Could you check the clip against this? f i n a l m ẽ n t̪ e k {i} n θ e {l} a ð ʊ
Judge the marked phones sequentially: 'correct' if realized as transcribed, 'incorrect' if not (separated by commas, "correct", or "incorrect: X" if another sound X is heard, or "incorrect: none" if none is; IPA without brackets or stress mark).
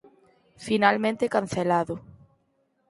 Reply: incorrect: a, correct